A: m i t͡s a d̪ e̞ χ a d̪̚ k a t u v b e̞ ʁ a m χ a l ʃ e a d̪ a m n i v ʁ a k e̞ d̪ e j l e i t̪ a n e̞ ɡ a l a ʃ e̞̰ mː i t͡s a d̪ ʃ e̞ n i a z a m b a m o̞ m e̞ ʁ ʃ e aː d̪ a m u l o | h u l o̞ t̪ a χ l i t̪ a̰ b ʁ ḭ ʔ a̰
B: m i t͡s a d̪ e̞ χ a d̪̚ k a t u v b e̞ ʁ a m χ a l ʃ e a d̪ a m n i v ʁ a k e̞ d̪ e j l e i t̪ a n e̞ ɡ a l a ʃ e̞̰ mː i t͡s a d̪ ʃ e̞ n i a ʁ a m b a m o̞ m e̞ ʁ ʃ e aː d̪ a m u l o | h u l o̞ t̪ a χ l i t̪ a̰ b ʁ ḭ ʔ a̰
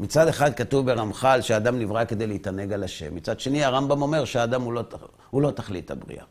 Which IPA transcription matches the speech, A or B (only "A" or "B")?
B